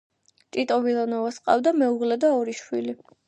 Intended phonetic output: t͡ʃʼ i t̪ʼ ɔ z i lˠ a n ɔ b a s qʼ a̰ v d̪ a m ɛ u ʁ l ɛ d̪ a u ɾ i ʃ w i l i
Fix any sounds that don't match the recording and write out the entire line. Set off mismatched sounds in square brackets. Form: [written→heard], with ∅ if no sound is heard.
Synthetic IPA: t͡ʃʼ i t̪ʼ ɔ [z→v] i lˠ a n ɔ [b→v] a s qʼ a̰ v d̪ a m ɛ u ʁ l ɛ d̪ a [u→ɔ] ɾ i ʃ w i l i